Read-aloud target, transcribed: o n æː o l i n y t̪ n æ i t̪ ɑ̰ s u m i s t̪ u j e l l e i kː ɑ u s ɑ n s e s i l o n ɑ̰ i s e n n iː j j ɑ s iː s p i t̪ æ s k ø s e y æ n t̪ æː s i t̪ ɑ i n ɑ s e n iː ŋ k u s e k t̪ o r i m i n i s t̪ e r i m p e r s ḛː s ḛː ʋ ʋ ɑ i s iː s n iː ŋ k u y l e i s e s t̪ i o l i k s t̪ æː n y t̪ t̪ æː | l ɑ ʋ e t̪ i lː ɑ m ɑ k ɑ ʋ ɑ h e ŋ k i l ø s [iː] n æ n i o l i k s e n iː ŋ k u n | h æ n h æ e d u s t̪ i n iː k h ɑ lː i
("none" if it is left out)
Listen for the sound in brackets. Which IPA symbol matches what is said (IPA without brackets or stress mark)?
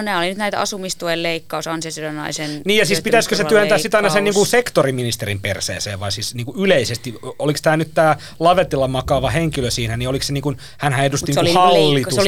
iː